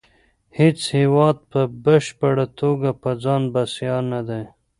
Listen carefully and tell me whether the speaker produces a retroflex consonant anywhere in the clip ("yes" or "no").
yes